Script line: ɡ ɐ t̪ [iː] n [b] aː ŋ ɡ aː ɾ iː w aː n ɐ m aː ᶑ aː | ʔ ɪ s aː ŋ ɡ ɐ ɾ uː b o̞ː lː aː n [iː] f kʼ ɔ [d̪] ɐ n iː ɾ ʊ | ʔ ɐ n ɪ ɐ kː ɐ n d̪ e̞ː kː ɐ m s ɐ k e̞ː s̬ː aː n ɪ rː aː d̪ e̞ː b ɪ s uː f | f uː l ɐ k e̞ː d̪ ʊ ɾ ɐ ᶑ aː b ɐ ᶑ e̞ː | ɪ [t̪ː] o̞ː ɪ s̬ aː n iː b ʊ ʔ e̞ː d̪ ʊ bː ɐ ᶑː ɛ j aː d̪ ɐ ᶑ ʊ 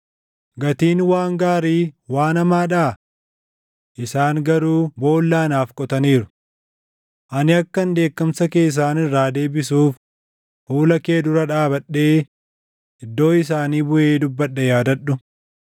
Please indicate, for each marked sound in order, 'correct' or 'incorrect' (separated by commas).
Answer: correct, incorrect, incorrect, incorrect, incorrect